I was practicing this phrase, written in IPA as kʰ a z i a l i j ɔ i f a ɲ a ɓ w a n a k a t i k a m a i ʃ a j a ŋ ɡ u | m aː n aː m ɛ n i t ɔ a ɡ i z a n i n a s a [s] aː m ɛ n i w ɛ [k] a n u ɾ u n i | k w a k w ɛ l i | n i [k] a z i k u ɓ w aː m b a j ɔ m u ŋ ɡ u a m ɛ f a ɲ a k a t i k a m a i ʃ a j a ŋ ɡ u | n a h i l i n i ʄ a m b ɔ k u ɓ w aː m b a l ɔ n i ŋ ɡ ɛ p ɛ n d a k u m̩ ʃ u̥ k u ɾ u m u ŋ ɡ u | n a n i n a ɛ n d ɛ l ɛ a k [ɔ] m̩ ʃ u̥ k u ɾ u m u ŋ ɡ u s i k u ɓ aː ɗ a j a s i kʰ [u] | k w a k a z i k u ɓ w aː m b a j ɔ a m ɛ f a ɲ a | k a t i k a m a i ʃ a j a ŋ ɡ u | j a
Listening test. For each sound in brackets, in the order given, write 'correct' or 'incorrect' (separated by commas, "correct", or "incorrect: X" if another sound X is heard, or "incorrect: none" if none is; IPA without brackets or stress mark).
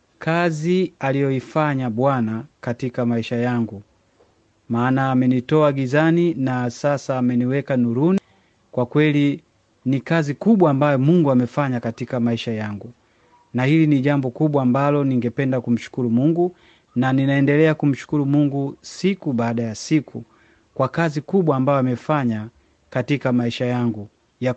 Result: correct, correct, correct, incorrect: u, correct